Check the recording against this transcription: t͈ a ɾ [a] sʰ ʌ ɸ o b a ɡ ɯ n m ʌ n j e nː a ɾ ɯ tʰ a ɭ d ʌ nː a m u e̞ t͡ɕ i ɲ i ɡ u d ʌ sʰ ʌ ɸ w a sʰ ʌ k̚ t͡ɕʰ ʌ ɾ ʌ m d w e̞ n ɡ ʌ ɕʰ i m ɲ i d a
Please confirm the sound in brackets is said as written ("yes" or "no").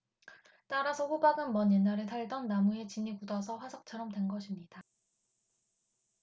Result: yes